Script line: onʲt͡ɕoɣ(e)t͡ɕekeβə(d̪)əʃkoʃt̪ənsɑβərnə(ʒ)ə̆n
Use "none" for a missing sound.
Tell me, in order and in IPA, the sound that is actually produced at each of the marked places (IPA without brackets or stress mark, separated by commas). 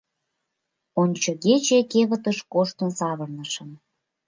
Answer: e, t̪, ʃ